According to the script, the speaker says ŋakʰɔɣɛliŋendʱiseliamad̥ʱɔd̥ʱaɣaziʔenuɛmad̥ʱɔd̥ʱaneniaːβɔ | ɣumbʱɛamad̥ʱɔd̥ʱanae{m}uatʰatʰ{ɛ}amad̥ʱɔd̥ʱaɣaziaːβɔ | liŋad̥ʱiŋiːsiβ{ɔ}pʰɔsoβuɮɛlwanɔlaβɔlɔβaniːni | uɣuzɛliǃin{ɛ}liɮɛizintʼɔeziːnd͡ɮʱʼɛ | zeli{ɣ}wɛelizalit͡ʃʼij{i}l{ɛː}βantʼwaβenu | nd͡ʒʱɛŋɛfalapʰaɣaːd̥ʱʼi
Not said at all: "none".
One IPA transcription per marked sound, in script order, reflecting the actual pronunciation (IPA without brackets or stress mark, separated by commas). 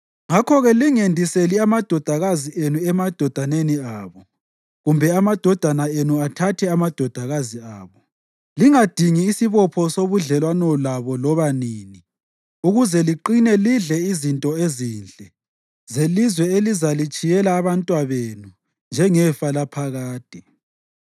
n, ɛ, ɔ, ɛ, z, ɛ, aː